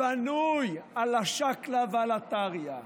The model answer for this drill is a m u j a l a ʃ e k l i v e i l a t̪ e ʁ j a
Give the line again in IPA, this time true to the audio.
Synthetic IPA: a n u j a l a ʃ a k l a v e a l a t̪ a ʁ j a

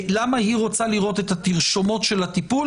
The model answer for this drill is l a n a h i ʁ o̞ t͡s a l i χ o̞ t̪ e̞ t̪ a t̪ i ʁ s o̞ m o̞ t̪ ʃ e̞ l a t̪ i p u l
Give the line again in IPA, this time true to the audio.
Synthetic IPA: l a m a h i ʁ o̞ t͡s a l i ʁ o̞ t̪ e̞ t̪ a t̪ i ʁ ʃ o̞ m o̞ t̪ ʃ e̞ l a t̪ i p u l

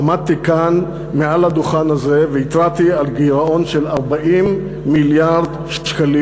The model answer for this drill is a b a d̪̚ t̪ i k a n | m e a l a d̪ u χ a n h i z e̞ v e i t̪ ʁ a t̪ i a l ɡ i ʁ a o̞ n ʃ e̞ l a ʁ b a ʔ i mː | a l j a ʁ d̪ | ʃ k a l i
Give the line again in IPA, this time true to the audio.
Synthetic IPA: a m a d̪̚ t̪ i k a n | m e a l a d̪ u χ a n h a z e̞ v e i t̪ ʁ a t̪ i a l ɡ i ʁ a o̞ n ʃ e̞ l a ʁ b a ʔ i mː | i l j a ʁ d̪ | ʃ k a l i

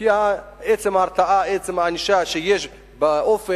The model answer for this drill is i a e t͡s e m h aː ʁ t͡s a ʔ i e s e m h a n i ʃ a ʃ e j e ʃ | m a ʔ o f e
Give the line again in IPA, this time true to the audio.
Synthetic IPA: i a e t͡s e m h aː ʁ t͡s a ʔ a e t͡s e m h a n i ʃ a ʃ e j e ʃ | b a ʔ o f e

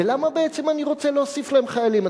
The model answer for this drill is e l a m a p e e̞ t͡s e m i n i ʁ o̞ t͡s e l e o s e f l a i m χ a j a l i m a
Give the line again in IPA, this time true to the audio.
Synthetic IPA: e l a m a b e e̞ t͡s e m a n i ʁ o̞ t͡s e l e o s i f l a e m χ a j a l i m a

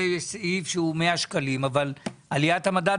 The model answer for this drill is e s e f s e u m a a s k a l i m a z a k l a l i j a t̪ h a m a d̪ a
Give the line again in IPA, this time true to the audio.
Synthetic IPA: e s i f ʃ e u m e a ʃ k a l i m a v a l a l i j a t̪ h a m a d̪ a

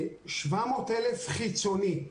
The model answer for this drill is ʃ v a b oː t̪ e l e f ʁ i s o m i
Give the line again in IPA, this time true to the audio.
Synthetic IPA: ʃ v a m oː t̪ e l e f χ i t͡s o n i

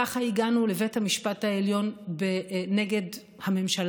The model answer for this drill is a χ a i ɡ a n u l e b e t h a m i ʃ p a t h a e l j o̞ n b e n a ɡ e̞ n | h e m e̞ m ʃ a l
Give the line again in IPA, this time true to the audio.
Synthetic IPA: a χ a i ɡ a n u l e v e t h a m i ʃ p a t h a e l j o̞ n b e n e ɡ e̞ d | h a m e̞ m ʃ a l

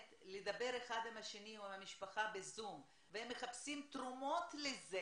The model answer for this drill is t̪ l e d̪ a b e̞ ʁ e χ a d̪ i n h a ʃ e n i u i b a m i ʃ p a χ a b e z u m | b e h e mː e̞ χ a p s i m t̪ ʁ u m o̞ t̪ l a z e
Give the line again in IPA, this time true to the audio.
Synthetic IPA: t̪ l e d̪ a b e̞ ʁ e χ a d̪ i m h a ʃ e n i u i m a m i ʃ p a χ a b e z u m | v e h e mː e̞ χ a p s i m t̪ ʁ u m o̞ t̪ l e z e

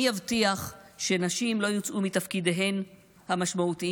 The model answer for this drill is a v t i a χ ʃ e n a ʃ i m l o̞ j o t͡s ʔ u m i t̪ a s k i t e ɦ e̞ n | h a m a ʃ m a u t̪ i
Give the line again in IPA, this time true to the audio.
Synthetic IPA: a v t i a χ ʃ e n a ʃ i m l o̞ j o t͡s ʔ u m i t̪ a f k i d e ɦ e̞ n | h a m a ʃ m a u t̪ i

